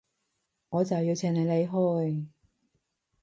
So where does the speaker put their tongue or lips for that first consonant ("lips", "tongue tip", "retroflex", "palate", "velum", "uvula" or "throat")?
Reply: velum